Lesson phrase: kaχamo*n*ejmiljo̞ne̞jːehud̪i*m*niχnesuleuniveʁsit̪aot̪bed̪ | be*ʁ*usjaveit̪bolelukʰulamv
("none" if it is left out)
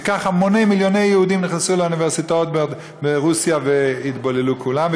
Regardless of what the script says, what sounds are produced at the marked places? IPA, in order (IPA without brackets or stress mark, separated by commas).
n, m, ʁ